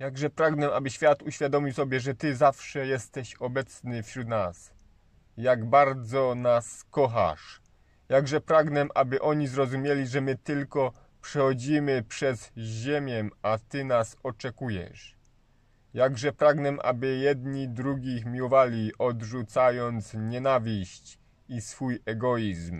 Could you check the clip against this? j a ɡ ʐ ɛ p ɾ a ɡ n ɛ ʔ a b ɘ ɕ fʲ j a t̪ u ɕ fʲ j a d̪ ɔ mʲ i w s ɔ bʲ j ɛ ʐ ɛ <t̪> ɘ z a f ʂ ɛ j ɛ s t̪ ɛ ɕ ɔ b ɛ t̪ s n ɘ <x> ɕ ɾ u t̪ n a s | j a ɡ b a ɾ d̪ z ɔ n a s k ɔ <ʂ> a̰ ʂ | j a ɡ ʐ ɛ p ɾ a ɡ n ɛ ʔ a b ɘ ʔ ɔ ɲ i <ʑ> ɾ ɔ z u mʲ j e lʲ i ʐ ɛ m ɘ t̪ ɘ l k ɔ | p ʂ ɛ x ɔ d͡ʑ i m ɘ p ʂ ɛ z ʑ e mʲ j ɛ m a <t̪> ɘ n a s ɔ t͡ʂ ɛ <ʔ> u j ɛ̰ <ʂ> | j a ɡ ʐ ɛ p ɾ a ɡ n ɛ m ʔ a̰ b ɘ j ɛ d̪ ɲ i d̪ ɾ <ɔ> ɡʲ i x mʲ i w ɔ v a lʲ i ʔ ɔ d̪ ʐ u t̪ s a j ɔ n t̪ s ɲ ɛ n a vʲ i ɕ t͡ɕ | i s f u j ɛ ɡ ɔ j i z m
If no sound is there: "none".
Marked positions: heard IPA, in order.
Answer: t̪, f, x, z, t̪, k, ʂ, u

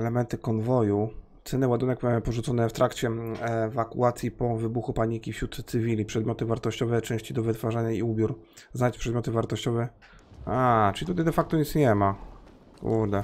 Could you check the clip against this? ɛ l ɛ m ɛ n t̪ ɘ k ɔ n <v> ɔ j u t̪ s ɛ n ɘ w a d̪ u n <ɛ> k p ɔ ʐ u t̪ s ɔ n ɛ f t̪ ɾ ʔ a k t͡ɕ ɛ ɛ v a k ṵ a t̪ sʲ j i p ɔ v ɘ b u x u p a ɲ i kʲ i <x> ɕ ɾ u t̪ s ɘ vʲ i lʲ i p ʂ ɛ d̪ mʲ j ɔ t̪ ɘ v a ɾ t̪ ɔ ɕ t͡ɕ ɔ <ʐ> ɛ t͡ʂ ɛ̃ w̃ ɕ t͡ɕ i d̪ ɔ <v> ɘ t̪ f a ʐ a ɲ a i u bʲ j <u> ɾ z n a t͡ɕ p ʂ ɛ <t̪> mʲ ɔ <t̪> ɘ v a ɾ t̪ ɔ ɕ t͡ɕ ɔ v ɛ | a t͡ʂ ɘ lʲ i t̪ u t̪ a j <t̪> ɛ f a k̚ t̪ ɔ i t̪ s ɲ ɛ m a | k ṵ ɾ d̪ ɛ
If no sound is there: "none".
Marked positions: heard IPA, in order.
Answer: v, ɛ, f, v, v, u, d̪, t̪, d̪

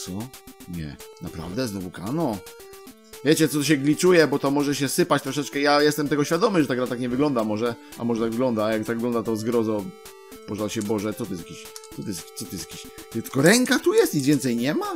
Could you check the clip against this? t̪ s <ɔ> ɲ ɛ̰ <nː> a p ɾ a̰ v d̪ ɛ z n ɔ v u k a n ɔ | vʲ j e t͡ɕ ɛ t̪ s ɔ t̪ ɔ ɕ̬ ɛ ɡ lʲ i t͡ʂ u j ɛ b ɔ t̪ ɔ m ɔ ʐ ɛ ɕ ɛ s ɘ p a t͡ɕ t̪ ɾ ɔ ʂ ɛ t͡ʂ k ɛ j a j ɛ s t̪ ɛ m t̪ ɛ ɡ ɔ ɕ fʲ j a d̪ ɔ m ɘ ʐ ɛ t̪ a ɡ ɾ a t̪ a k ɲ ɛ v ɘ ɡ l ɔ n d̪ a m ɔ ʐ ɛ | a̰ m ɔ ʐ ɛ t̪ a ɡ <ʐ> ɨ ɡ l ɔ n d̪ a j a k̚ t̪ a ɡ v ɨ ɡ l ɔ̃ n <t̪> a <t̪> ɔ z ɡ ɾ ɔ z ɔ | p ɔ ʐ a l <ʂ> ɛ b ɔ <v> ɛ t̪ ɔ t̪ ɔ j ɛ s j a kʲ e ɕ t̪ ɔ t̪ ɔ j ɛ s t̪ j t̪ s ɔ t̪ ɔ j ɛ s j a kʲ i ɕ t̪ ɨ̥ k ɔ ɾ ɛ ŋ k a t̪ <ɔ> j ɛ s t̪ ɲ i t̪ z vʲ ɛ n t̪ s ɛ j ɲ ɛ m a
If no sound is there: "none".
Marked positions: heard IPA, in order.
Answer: ɔ, n, v, d̪, t̪, ɕ, ʐ, u

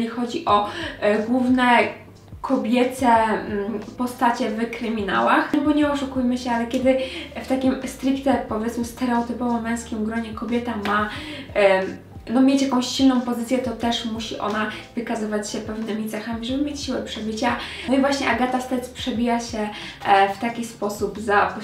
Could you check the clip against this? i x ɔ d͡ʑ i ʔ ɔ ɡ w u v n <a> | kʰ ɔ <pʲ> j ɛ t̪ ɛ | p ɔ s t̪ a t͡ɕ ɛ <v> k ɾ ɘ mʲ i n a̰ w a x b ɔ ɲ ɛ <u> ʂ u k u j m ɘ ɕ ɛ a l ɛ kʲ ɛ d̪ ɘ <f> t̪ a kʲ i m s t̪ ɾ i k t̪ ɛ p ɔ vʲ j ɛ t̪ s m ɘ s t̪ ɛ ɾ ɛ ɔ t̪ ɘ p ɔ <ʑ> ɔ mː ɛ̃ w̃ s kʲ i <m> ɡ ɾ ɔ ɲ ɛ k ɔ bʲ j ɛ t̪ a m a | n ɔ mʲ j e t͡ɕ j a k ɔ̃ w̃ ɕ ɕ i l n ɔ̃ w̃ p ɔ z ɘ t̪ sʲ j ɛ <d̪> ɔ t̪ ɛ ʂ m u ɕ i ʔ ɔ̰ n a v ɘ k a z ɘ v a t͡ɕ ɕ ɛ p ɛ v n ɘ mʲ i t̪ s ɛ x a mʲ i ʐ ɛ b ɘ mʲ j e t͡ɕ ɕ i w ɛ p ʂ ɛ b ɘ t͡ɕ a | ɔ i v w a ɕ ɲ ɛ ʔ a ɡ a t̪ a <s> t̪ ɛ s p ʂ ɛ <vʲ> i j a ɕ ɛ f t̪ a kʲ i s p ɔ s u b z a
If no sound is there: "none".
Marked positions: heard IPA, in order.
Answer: ɛ, bʲ, v, ɔ, f, v, m, t̪, s, bʲ

